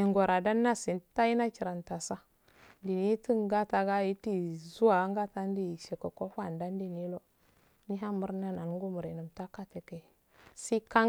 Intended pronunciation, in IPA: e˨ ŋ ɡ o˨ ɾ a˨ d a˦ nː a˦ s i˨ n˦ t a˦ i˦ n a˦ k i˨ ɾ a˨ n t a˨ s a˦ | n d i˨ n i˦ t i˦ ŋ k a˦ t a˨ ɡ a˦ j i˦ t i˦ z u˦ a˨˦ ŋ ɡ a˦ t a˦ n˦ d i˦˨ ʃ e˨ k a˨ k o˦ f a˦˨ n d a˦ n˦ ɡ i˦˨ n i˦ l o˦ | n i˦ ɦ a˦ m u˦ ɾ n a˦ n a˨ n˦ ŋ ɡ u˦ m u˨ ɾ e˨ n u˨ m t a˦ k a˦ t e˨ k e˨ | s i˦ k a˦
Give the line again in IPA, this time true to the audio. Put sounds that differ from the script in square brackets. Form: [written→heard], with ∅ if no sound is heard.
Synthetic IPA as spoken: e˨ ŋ ɡ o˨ ɾ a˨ d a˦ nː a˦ s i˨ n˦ t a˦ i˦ n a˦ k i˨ ɾ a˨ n t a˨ s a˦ | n d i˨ n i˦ t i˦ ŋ [k→ɡ] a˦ t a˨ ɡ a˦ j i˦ t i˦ z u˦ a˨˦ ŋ ɡ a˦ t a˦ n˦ d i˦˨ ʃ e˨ k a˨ k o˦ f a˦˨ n d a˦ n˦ [ɡ→d] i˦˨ n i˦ l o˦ | n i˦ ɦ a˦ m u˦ ɾ n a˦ n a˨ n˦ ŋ ɡ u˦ m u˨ ɾ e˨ n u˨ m t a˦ k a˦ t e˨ k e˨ | s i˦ k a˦